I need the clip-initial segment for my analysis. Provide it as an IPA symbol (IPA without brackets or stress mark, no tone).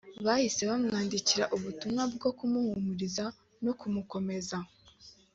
β